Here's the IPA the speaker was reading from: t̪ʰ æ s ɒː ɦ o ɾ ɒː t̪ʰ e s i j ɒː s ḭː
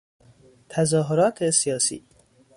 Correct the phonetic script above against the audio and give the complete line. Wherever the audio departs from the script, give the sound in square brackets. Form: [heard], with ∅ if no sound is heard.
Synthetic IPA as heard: t̪ʰ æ [z] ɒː ɦ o ɾ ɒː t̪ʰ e s i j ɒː s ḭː